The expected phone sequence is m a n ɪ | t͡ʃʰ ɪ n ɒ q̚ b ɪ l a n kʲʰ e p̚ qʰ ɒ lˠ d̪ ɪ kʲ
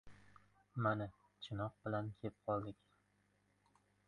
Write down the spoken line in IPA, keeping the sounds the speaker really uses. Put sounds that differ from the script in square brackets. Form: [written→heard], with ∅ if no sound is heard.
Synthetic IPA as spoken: m a n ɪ | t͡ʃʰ ɪ n ɒ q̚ b ɪ l a n kʲʰ e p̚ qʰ ɒ lˠ d̪ ɪ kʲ

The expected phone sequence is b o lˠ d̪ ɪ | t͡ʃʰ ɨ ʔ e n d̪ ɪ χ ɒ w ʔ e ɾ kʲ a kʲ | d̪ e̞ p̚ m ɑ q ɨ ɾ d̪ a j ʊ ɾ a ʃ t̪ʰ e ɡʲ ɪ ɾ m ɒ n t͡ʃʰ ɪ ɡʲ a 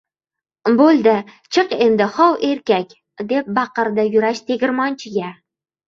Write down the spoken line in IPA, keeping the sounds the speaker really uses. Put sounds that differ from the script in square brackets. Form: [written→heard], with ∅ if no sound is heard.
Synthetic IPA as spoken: b o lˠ d̪ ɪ | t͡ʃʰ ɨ [ʔ→q] e n d̪ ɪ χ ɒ w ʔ e ɾ kʲ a kʲ | d̪ e̞ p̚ [m→b] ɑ q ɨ ɾ d̪ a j ʊ ɾ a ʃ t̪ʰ e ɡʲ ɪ ɾ m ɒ n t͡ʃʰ ɪ ɡʲ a

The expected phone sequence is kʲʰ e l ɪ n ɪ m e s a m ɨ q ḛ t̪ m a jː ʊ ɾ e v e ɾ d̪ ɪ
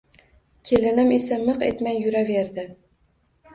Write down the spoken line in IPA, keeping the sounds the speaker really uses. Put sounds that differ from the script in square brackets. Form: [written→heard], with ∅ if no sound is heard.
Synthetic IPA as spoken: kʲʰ e l ɪ n ɪ m e s a m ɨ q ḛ t̪ m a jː ʊ ɾ [e→a] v e ɾ d̪ ɪ

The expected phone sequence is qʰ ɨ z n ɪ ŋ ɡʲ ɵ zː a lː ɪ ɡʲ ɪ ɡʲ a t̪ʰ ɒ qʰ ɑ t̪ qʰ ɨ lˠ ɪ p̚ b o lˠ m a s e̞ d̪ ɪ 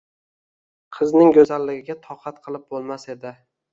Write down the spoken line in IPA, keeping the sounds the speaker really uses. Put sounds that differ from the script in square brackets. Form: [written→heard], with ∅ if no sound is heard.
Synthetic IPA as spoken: qʰ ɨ z n ɪ ŋ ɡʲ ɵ [zː→z] a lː ɪ ɡʲ ɪ ɡʲ a t̪ʰ ɒ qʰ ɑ t̪ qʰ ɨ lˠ ɪ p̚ b o lˠ m a s e̞ d̪ ɪ

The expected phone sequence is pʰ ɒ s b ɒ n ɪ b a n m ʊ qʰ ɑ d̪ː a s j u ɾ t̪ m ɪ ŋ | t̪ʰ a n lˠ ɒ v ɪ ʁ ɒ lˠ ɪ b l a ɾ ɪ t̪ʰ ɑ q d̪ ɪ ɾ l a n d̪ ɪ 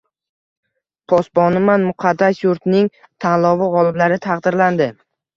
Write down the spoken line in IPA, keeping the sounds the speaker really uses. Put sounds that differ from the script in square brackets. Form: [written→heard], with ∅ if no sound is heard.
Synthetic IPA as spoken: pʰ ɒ s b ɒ n ɪ [b→m] a n m ʊ qʰ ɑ d̪ː a s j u ɾ t̪ [m→n] ɪ ŋ | t̪ʰ a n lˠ ɒ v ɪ ʁ ɒ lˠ ɪ b l a ɾ ɪ t̪ʰ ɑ q d̪ ɪ ɾ l a n d̪ ɪ

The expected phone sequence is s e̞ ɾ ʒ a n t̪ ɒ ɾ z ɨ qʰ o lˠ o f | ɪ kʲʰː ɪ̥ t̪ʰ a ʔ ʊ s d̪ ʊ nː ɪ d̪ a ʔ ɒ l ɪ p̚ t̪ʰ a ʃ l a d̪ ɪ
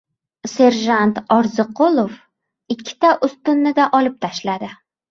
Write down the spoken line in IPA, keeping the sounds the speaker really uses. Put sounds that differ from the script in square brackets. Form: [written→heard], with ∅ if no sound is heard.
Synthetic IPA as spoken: s e̞ ɾ ʒ a n t̪ ɒ ɾ z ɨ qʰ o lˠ o f | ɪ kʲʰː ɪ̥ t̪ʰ a ʔ ʊ s [d̪→t̪] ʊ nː ɪ d̪ a ʔ ɒ l ɪ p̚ t̪ʰ a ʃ l a d̪ ɪ

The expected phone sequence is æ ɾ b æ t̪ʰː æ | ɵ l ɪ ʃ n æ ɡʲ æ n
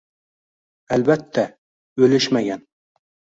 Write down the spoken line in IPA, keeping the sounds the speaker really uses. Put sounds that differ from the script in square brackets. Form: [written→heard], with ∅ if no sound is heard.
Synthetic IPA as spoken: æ [ɾ→l] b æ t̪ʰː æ | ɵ l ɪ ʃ [n→m] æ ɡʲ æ n

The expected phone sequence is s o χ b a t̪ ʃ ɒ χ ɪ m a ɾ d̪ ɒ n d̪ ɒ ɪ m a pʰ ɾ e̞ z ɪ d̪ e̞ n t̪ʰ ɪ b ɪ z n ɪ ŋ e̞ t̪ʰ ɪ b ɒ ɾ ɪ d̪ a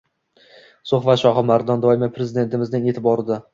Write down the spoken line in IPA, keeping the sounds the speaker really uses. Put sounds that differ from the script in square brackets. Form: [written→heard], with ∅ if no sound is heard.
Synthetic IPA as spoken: s o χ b a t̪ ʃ ɒ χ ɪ m a ɾ d̪ ɒ n d̪ ɒ ɪ m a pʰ ɾ e̞ z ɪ d̪ e̞ n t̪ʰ ɪ [b→m] ɪ z n ɪ ŋ e̞ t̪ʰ ɪ b ɒ ɾ ɪ d̪ a

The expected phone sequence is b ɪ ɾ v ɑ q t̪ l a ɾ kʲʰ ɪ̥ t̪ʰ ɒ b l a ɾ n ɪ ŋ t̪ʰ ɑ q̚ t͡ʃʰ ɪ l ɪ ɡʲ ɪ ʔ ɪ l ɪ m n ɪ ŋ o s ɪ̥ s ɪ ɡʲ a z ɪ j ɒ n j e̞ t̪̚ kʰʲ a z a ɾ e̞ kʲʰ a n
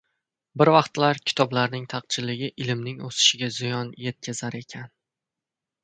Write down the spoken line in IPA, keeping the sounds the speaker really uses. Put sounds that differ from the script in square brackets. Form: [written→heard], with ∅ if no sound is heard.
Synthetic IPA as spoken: b ɪ ɾ v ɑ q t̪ l a ɾ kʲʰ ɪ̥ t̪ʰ ɒ b l a ɾ n ɪ ŋ t̪ʰ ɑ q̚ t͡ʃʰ ɪ l ɪ ɡʲ ɪ ʔ ɪ l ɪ m n ɪ ŋ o s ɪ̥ [s→ʃ] ɪ ɡʲ a z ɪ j ɒ n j e̞ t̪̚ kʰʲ a z a ɾ e̞ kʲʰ a n

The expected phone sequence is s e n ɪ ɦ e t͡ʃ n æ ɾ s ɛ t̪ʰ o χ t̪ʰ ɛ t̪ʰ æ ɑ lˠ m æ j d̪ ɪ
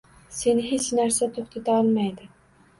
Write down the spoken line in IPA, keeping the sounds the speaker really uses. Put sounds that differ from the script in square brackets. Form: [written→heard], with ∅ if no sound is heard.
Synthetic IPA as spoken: s e n ɪ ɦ e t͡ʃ n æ ɾ s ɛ t̪ʰ o χ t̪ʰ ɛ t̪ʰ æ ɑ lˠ m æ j d̪ ɪ

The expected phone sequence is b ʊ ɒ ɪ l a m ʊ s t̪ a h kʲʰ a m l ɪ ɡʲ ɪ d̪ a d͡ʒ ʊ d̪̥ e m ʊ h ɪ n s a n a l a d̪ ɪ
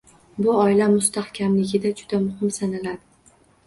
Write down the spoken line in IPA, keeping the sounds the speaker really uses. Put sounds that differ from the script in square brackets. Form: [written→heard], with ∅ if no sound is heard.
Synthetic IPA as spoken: b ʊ ɒ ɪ l a m ʊ s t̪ a h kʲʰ a m l ɪ ɡʲ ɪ d̪ a d͡ʒ ʊ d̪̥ [e→a] m ʊ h ɪ [n→m] s a n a l a d̪ ɪ

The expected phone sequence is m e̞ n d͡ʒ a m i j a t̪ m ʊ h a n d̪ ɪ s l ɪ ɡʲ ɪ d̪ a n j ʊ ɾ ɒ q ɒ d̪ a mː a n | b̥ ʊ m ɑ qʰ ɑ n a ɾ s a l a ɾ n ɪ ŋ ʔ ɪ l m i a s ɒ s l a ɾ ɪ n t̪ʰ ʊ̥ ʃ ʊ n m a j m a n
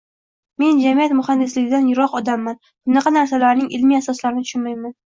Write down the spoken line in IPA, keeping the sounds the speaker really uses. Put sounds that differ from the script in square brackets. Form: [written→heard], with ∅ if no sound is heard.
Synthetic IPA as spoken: m e̞ n d͡ʒ a m i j a t̪ m ʊ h a n d̪ ɪ s l ɪ ɡʲ ɪ d̪ a n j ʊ ɾ ɒ q ɒ d̪ a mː a n | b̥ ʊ [m→n] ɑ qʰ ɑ n a ɾ s a l a ɾ n ɪ ŋ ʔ ɪ l m i a s ɒ s l a ɾ ɪ n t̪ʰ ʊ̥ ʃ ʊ n m a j m a n

